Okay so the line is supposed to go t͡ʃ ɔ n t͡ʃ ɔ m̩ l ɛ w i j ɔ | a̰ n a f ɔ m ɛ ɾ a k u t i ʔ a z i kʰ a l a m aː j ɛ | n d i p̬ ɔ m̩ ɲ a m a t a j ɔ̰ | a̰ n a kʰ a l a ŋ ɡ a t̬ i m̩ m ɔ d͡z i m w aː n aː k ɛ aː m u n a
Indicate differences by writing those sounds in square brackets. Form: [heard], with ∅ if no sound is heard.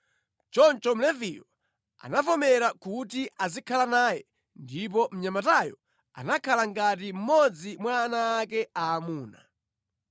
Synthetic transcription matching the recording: t͡ʃ ɔ n t͡ʃ ɔ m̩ l ɛ [v] i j ɔ | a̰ n a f ɔ m ɛ ɾ a k u t i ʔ a z i kʰ a l a [n] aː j ɛ | n d i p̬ ɔ m̩ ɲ a m a t a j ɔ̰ | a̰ n a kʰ a l a ŋ ɡ a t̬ i m̩ m ɔ d͡z i m w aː n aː k ɛ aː m [uː] n a